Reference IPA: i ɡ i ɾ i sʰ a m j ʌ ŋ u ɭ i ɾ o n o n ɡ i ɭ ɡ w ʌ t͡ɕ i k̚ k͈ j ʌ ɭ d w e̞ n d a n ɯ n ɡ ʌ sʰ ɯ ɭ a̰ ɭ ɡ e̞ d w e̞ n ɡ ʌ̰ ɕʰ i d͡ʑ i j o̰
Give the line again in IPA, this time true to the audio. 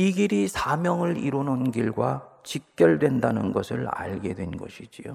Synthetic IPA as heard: i ɡ i ɾ i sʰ a m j ʌ ŋ ɯ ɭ i ɾ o n o n ɡ i ɭ ɡ w a t͡ɕ i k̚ k͈ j ʌ ɭ d w e̞ n d a n ɯ n ɡ ʌ sʰ ɯ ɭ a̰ ɭ ɡ e̞ d w e̞ n ɡ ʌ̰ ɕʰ i d͡ʑ i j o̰